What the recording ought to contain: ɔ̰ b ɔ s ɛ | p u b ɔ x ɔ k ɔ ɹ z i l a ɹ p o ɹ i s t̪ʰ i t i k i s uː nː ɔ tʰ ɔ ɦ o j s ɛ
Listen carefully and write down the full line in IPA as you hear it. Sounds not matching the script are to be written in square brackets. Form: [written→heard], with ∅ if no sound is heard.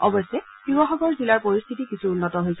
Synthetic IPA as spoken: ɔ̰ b ɔ s ɛ | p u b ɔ x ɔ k ɔ ɹ z i l a ɹ p o ɹ i s t̪ʰ i t i k i s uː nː ɔ [tʰ→t] ɔ ɦ o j s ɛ